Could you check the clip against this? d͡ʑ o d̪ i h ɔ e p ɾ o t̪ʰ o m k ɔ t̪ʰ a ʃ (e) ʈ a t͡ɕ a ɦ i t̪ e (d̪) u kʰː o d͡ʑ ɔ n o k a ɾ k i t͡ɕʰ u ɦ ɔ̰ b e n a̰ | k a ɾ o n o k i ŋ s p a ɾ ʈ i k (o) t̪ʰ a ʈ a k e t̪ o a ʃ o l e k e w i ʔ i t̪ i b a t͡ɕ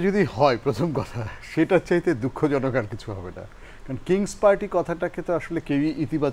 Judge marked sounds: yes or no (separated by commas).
yes, yes, no